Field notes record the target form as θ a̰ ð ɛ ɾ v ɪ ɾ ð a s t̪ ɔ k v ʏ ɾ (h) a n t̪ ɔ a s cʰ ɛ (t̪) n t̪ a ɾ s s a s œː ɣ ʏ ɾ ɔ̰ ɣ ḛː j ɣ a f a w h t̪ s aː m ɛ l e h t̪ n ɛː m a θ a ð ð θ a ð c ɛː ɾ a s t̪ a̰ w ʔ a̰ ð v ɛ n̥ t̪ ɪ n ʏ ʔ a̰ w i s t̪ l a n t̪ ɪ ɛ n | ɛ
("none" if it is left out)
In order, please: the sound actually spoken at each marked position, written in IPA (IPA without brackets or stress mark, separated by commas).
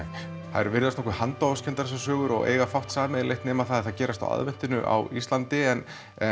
h, none